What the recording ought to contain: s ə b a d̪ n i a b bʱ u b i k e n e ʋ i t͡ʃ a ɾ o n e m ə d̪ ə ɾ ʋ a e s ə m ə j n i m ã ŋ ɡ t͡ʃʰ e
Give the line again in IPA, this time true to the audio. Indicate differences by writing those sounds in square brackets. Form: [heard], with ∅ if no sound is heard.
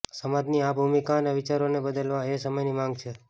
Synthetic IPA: s ə [m] a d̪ n i a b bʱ u [m] i k [a] n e ʋ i t͡ʃ a ɾ o n e [b] ə d̪ ə [l] ʋ a e s ə m ə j n i m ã ŋ ɡ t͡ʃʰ e